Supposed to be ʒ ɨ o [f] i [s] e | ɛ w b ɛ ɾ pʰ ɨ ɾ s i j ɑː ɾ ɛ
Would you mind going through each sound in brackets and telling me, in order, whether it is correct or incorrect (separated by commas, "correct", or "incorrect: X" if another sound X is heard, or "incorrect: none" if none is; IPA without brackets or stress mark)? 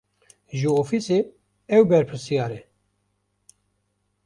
correct, correct